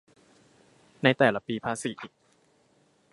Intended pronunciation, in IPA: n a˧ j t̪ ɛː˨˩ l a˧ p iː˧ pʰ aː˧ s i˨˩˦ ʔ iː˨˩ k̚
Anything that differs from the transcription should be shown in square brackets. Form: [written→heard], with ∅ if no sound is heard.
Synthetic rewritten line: n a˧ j t̪ ɛː˨˩ l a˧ p iː˧ pʰ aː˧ s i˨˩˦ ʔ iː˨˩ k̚